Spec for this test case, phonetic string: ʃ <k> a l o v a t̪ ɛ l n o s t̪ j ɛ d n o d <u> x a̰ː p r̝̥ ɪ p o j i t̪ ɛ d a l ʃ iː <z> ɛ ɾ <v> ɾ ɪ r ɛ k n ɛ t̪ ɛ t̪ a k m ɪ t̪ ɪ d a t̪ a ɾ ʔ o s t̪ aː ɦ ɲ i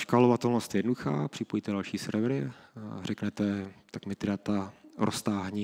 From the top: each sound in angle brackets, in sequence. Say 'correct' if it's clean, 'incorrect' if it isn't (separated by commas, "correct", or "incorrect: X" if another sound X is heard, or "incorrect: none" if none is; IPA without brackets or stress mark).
correct, correct, incorrect: s, correct